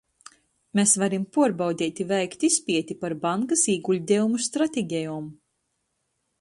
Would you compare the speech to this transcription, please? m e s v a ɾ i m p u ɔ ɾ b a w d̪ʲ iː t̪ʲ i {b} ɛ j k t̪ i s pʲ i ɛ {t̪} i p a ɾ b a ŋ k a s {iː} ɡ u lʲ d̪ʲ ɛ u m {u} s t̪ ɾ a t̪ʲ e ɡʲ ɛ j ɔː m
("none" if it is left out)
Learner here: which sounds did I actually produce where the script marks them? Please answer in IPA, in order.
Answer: v, t̪, iː, u

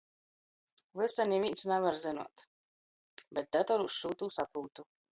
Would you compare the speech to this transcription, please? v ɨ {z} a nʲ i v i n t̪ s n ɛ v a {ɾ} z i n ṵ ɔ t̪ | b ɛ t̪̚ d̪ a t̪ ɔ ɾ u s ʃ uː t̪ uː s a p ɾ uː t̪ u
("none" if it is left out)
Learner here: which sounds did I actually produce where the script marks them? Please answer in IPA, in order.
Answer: s, ɾ

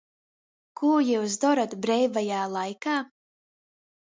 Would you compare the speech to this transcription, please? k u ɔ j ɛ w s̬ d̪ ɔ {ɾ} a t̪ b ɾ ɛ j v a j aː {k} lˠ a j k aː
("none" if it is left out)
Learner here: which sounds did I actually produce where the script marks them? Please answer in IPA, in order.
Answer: ɾ, none

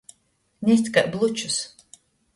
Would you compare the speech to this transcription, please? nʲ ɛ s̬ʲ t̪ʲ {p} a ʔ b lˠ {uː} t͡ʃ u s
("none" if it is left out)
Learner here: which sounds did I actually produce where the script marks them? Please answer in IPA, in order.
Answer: k, u

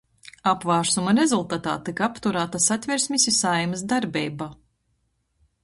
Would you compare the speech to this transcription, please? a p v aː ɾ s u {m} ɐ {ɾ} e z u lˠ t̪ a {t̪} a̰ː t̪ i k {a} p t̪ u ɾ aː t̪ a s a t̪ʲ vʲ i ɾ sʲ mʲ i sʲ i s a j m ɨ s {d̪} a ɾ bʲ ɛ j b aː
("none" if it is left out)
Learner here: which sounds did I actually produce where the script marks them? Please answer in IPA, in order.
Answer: m, ɾ, t̪, a, d̪

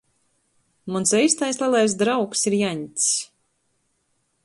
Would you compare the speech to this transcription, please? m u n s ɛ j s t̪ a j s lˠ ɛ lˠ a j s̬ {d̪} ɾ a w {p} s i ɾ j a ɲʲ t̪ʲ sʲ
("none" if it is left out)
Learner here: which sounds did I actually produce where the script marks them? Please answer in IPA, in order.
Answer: d̪, k

